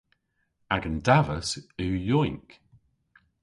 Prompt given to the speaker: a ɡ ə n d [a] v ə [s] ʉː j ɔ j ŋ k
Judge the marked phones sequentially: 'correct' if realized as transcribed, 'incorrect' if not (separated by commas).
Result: correct, correct